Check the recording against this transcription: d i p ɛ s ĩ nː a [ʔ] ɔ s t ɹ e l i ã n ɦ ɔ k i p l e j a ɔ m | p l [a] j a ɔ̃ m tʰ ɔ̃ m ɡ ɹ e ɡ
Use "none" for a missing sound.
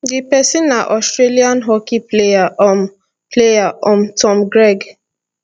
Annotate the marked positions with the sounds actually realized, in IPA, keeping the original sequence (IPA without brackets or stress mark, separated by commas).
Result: ʔ, e